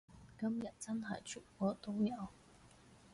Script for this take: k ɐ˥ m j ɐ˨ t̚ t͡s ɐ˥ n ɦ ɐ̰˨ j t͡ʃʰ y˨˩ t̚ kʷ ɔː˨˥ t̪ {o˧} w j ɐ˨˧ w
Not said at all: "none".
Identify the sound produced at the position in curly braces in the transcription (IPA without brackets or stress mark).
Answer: o˥